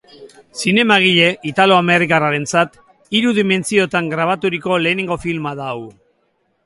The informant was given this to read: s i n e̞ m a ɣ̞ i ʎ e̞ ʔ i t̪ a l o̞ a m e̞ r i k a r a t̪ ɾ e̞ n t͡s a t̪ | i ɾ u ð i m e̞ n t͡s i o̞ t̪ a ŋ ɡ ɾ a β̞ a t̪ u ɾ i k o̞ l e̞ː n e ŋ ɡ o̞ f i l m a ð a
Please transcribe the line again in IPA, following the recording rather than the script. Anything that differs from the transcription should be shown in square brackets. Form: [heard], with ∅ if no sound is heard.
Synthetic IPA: s i n e̞ m a ɣ̞ i ʎ e̞ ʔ i t̪ a l o̞ a m e̞ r i k a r a [∅] ɾ e̞ n t͡s a t̪ | i ɾ u ð i m e̞ n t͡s i o̞ t̪ a ŋ ɡ ɾ a β̞ a t̪ u ɾ i k o̞ l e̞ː n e ŋ ɡ o̞ f i l m a ð a